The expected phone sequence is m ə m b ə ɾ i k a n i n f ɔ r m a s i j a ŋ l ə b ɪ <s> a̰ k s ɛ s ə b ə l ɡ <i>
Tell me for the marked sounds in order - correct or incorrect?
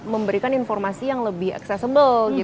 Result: incorrect: h, correct

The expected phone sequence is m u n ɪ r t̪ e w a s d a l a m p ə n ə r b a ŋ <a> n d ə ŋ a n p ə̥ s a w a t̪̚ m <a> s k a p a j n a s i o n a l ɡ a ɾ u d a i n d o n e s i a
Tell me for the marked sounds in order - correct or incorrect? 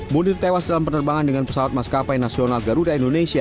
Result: correct, correct

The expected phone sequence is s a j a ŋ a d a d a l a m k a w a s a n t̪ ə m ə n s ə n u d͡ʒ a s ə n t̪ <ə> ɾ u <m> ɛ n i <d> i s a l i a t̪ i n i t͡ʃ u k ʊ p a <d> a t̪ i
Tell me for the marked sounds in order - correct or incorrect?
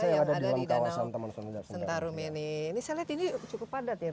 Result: incorrect: a, correct, incorrect: n, correct

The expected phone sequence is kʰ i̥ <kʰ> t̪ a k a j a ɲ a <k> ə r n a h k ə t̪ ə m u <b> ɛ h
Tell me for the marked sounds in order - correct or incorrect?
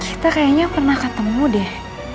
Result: incorrect: none, incorrect: p, incorrect: d

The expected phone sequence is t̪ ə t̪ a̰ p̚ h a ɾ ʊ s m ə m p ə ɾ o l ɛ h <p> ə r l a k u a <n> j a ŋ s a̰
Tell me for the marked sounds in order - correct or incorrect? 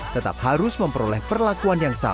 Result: correct, correct

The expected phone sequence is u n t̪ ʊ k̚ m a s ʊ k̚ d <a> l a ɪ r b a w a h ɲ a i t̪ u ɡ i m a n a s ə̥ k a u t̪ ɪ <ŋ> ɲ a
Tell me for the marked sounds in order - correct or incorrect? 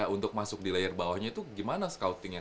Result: incorrect: i, correct

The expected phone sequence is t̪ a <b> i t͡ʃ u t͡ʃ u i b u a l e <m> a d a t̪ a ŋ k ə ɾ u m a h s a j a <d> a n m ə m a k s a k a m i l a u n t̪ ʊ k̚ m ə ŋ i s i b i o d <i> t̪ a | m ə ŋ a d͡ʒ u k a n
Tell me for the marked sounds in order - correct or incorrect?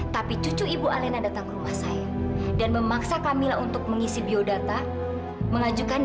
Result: incorrect: p, incorrect: n, correct, incorrect: a

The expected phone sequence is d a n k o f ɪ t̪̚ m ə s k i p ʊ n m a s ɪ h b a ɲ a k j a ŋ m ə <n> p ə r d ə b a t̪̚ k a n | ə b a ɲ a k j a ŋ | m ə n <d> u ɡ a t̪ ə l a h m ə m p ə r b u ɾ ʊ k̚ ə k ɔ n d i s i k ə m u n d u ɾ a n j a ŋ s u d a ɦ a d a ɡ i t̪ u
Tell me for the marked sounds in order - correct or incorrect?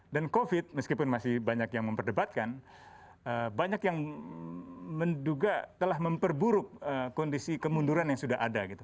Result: incorrect: m, correct

